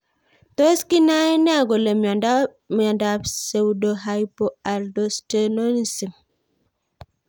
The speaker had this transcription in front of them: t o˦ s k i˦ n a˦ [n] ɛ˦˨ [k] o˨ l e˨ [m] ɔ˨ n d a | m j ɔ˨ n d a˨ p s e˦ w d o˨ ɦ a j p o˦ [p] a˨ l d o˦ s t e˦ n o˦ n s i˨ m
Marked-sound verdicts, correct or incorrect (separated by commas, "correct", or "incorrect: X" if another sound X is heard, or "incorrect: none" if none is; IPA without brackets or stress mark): correct, incorrect: ɡ, correct, incorrect: none